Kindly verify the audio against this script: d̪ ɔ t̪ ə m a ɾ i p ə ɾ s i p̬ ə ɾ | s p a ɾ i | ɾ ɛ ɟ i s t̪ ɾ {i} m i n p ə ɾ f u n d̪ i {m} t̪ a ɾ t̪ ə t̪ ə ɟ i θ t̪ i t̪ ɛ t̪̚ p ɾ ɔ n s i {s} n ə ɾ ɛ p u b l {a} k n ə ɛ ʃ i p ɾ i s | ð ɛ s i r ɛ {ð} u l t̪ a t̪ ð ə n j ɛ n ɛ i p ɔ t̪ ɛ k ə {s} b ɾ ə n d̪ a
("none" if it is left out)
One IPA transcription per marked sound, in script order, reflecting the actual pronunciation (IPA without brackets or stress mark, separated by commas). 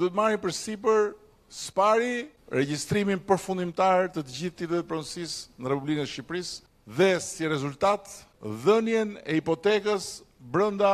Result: i, m, s, i, z, s